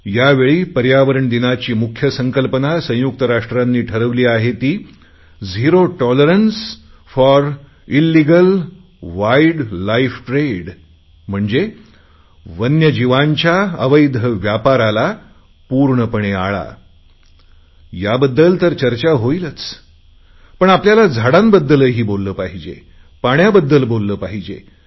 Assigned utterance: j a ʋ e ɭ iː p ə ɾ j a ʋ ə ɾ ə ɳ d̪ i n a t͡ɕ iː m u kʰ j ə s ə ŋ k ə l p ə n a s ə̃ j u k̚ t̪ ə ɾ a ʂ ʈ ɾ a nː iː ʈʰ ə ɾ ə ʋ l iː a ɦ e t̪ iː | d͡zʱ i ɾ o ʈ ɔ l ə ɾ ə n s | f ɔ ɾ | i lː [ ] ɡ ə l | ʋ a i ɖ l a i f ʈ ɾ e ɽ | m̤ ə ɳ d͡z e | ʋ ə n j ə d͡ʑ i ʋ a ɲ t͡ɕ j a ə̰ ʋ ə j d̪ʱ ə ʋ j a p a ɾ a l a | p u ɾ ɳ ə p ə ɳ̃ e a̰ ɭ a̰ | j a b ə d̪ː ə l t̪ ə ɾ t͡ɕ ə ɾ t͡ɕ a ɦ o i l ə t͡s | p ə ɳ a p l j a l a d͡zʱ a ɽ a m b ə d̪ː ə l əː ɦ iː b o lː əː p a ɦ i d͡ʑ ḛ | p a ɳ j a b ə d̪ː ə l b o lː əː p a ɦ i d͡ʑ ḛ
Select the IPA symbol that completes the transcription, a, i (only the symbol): i